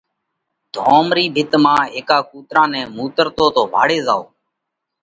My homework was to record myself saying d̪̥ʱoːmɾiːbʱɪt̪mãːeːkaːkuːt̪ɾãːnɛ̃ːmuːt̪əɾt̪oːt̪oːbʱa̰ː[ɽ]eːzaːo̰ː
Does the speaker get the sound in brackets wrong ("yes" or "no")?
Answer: no